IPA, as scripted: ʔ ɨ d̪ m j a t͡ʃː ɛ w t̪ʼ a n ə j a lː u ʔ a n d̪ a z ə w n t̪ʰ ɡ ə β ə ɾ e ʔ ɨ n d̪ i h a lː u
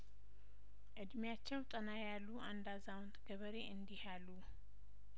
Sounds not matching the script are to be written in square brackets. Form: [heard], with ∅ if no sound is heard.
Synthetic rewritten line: ʔ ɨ d̪ m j a t͡ʃː ɛ w t̪ʼ [ə] n [a] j a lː u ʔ a n d̪ a z [a] w n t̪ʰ ɡ ə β ə ɾ e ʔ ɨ n d̪ i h a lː u

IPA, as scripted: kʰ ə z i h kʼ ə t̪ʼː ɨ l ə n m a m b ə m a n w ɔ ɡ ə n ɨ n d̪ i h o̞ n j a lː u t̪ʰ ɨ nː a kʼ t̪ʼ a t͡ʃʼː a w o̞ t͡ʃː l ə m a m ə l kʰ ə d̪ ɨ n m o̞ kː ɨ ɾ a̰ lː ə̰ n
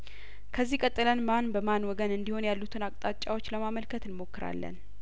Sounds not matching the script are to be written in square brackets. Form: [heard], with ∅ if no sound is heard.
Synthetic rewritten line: kʰ ə [zː] i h kʼ ə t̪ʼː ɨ l ə n m a [n] b ə m a n w ɔ ɡ ə n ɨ n d̪ i h o̞ n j a lː u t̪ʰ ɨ [n] a kʼ t̪ʼ a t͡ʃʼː a w o̞ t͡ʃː l ə m a m ə l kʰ ə [t̪] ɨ n m o̞ kː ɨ ɾ a̰ lː ə̰ n

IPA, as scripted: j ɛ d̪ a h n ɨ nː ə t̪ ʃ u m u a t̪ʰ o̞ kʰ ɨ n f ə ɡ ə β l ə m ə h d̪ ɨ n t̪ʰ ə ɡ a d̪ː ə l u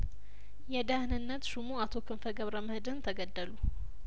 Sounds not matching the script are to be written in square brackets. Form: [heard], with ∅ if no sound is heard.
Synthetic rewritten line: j ɛ d̪ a h n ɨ nː ə t̪ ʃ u m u a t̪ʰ o̞ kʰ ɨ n f ə ɡ ə β [ɾ] ə m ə h d̪ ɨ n t̪ʰ ə ɡ [ə] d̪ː ə l u

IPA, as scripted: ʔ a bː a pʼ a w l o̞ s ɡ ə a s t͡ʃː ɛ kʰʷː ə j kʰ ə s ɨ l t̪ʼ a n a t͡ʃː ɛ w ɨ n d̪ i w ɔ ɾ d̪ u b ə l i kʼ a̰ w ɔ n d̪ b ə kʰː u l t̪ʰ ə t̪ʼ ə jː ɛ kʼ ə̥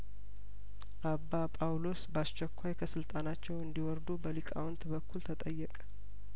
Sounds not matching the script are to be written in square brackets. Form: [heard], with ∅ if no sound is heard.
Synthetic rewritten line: ʔ a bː a pʼ a w l o̞ s [b] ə a s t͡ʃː ɛ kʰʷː [a] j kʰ ə s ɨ l t̪ʼ a n a t͡ʃː ɛ w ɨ n d̪ i w ɔ ɾ d̪ u b ə l i kʼ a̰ w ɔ n [t̪] b ə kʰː u l t̪ʰ ə t̪ʼ ə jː ɛ kʼ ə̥

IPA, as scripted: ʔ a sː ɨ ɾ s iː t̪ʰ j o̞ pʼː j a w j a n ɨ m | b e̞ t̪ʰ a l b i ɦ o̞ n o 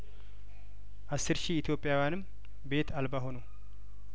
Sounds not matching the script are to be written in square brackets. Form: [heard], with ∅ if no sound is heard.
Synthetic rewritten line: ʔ a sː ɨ ɾ [ʃ] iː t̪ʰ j o̞ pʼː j a w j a n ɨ m | b e̞ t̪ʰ a l b [a] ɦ o̞ n o

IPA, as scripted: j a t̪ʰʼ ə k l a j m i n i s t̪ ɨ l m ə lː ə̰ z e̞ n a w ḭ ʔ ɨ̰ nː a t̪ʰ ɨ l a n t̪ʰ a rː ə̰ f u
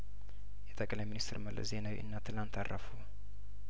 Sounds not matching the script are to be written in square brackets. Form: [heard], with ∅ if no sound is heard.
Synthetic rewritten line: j [ɛ] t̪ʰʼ ə [kʼ] l a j m i n i s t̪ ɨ [ɾ] m ə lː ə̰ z e̞ n a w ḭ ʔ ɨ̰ nː a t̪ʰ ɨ l a n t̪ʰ a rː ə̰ f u

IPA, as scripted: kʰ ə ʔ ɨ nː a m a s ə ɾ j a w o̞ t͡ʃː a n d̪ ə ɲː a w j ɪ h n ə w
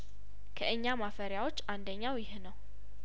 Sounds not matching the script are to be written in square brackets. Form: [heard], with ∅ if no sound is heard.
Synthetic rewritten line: kʰ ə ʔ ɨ [ɲː] a m a [f] ə ɾ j a w o̞ t͡ʃː a n d̪ ə ɲː a w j ɪ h n ə w

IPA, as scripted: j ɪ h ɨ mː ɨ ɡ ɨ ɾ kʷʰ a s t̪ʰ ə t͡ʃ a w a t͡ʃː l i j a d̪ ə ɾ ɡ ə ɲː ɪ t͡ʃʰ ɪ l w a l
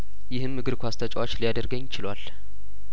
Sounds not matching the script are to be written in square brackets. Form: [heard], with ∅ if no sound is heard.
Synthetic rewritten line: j ɪ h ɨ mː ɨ ɡ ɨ ɾ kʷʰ a s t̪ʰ ə [t͡ʃʼ] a w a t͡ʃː l i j a d̪ ə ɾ ɡ ə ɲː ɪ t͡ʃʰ ɪ l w a l

